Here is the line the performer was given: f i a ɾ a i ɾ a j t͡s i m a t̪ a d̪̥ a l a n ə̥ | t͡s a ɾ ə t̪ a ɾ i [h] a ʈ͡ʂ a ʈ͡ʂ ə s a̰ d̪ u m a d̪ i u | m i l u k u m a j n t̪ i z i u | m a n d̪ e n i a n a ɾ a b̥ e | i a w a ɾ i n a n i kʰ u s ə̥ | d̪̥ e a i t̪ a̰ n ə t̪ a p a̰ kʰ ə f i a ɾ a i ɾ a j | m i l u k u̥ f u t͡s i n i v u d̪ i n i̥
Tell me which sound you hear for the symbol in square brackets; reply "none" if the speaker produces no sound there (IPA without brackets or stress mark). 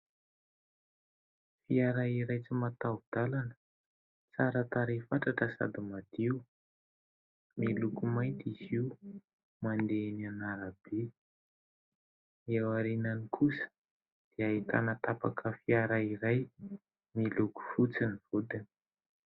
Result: f